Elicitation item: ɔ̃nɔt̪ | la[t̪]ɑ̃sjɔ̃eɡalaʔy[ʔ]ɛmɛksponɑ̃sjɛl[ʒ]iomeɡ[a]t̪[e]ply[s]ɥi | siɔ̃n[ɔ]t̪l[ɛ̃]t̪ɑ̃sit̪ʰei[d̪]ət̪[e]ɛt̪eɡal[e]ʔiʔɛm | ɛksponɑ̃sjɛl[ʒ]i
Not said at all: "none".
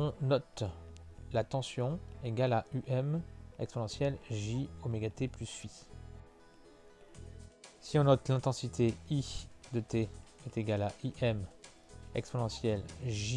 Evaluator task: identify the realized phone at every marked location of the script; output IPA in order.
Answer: t̪, ʔ, ʒ, a, e, s, ɔ, ɛ̃, d̪, e, a, ʒ

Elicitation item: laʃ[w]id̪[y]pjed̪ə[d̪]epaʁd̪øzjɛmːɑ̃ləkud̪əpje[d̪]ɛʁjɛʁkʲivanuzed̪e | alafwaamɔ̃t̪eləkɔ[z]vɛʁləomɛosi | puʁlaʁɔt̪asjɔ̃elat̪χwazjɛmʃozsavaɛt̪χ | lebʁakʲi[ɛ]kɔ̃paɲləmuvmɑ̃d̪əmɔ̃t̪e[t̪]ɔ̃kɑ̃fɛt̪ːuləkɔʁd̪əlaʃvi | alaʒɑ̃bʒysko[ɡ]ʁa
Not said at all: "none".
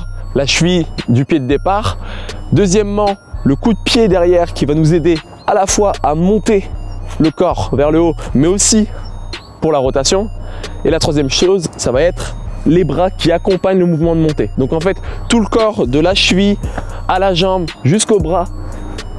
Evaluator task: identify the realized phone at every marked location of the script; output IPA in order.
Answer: v, y, d̪, d̪, ʁ, a, d̪, b

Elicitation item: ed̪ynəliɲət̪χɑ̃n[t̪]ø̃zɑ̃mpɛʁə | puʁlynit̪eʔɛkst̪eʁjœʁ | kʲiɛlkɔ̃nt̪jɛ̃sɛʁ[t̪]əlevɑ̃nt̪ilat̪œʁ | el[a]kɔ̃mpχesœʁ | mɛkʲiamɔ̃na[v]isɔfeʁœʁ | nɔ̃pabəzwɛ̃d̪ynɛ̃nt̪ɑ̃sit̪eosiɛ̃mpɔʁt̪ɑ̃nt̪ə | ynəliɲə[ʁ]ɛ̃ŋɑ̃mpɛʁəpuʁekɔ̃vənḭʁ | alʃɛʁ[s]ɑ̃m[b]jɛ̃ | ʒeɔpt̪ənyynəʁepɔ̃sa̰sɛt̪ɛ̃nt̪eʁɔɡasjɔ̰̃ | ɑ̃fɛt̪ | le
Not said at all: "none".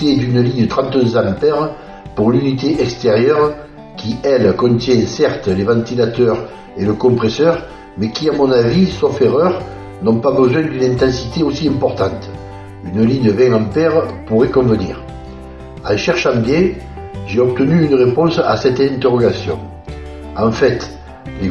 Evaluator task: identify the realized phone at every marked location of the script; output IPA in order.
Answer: t̪, t̪, ə, v, v, ʃ, b

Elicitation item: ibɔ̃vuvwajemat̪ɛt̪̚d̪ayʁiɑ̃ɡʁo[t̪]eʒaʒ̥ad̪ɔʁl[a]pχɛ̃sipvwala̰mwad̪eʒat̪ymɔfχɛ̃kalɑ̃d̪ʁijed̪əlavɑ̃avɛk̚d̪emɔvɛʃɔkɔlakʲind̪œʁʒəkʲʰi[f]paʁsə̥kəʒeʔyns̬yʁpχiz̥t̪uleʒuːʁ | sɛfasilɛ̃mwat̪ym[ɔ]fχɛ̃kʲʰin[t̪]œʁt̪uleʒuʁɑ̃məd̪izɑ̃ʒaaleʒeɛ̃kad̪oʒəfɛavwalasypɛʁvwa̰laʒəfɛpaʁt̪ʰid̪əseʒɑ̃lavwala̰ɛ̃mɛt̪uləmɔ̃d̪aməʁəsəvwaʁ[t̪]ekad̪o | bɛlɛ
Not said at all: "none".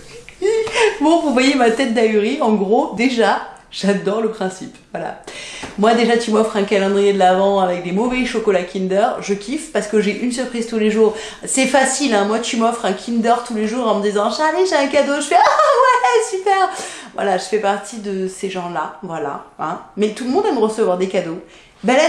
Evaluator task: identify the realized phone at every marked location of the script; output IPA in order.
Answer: d̪, ə, f, ɔ, d̪, d̪

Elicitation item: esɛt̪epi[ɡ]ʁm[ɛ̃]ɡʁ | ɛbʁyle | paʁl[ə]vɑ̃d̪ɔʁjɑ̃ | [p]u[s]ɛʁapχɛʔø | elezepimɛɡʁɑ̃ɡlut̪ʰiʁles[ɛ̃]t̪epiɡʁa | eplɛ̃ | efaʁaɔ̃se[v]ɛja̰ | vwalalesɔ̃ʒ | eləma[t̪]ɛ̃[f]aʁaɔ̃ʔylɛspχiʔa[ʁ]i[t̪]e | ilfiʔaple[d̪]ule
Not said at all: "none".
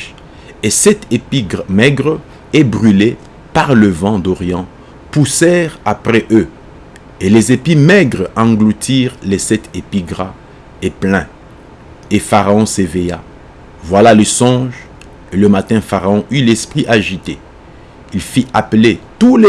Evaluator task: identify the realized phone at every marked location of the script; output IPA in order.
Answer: ɡ, ɛ, ə, p, s, ɛ, v, t̪, f, ʒ, t̪, t̪

